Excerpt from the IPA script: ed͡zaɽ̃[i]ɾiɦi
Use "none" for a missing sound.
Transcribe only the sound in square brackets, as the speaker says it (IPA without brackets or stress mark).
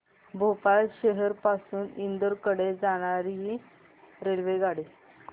a